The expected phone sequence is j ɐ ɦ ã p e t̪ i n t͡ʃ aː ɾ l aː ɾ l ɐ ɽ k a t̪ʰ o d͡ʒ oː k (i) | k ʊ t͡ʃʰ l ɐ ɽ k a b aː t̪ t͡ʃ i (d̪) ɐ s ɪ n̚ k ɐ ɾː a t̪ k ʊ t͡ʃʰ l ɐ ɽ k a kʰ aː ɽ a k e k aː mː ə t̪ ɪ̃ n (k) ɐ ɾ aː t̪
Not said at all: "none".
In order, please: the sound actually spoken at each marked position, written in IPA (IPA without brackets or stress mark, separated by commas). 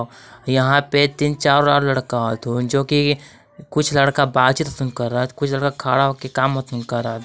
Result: i, t̪, k